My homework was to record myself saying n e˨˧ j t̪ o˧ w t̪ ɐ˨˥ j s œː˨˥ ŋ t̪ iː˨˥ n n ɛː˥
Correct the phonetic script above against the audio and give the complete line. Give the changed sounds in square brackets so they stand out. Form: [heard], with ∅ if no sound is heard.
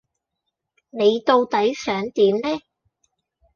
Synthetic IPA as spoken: n e˨˧ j t̪ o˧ w t̪ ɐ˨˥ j s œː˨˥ ŋ t̪ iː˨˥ [m] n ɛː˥